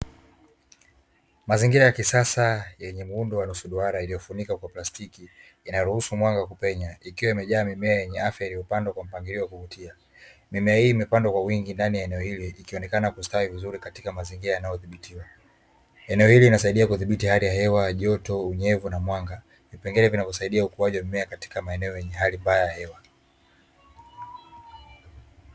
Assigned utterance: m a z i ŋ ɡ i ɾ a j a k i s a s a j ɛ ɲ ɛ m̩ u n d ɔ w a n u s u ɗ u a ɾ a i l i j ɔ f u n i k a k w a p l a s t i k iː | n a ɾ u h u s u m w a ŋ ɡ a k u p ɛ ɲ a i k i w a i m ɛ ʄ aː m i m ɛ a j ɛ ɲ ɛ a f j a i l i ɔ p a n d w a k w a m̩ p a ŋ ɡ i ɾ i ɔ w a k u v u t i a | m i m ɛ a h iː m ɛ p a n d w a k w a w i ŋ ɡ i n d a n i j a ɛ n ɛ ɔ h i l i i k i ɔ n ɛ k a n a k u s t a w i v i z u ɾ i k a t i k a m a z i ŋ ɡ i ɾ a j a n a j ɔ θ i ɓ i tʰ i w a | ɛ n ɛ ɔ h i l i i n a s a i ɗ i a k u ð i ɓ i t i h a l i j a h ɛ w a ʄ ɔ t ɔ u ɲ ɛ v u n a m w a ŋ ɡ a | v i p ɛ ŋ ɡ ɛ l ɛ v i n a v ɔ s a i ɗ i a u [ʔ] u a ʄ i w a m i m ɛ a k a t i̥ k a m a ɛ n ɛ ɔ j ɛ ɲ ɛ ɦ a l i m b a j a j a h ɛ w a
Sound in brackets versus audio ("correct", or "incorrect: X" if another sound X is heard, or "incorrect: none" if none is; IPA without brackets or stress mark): incorrect: k